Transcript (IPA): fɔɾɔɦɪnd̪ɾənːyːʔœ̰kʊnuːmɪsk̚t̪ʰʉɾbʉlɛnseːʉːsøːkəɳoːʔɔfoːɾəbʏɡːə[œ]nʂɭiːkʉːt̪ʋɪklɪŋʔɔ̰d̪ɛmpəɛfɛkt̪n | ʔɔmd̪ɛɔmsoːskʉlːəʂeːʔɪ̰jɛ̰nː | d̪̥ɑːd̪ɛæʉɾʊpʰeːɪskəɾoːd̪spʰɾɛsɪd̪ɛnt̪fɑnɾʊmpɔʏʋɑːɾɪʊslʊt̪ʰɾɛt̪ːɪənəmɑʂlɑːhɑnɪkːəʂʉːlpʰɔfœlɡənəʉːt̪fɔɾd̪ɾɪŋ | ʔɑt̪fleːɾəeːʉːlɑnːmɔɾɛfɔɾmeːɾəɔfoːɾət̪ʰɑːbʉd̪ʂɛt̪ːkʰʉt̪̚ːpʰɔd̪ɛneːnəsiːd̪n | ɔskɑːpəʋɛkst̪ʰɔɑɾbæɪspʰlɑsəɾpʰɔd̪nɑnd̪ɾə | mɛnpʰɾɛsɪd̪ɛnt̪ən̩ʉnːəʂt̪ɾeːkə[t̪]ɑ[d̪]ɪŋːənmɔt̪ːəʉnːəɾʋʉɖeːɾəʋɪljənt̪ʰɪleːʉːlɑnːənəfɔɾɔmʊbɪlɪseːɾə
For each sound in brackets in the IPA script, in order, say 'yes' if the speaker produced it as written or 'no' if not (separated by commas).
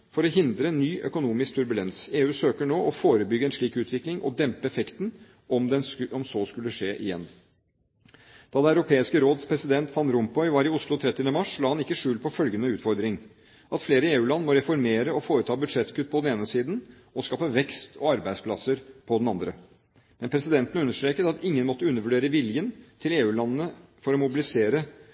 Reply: no, yes, no